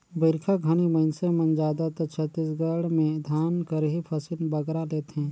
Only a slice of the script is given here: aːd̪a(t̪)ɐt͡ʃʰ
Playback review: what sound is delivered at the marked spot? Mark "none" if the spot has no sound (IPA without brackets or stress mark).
t̪